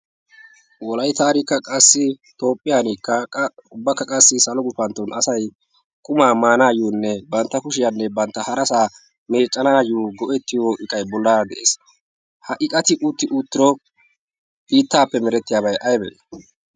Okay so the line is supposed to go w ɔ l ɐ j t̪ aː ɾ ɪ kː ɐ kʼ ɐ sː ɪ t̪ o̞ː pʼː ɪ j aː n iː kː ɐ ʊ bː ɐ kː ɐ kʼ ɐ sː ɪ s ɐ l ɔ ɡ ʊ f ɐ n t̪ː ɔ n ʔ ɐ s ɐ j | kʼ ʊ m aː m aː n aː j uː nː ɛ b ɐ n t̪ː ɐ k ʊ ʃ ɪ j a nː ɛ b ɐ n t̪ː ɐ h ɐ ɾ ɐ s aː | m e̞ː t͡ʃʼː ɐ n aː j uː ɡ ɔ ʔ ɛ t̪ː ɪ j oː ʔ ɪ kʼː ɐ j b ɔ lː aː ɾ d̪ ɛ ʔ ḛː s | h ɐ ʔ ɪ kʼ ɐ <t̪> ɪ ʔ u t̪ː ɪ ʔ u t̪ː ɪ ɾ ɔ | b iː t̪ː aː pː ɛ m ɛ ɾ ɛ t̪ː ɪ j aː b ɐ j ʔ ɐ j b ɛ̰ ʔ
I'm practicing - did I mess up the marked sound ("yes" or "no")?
no